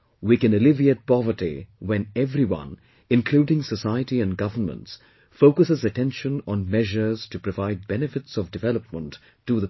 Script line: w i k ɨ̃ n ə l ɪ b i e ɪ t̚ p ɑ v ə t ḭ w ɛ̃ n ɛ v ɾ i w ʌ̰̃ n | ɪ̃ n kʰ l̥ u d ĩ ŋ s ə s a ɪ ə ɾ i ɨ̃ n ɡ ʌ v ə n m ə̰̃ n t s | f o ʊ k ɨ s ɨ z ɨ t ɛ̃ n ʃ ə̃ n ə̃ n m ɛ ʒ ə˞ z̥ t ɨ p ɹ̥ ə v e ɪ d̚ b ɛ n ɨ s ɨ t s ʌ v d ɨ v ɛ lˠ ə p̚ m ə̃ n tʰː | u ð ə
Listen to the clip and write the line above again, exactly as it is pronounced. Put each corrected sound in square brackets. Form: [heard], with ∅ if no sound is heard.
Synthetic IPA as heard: w i k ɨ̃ n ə l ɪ [v] i e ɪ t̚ p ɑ v ə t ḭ w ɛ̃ n ɛ v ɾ i w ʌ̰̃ n | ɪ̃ n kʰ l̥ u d [ɪ̃] ŋ s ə s a ɪ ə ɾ i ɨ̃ n ɡ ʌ v ə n m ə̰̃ n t s | f o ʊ k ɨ s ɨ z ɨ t ɛ̃ n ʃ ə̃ n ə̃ n m ɛ ʒ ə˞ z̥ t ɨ p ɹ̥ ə v [a] ɪ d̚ b ɛ n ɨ [f] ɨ t s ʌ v d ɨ v ɛ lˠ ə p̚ m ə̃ n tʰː | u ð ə